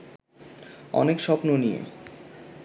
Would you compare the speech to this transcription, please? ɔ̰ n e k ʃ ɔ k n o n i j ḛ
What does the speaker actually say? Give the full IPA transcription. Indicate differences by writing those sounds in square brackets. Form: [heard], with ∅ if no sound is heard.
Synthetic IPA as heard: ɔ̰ n e k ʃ ɔ [p] n o n i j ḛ